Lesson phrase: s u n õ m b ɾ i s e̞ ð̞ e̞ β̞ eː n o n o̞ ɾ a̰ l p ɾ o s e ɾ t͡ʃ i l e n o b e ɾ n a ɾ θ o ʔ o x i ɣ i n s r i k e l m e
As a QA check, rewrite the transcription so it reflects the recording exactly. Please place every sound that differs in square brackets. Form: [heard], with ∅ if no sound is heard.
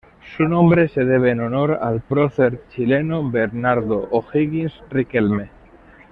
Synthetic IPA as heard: s u n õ m b ɾ [e] s e̞ ð̞ e̞ β̞ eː n o n o̞ ɾ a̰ l p ɾ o [θ] e ɾ t͡ʃ i l e n o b e ɾ n a ɾ [ð] o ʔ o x i ɣ i n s r i k e l m e